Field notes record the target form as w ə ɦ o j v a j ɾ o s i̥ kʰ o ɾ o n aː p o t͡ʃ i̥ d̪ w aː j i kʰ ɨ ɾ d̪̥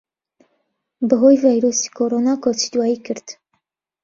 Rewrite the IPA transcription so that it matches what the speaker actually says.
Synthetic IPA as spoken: b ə ɦ o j v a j ɾ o s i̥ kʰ o ɾ o n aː k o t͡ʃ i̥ d̪ w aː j i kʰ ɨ ɾ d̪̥